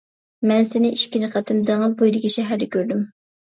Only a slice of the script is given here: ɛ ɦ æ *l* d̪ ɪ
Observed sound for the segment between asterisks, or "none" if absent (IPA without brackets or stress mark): ɾ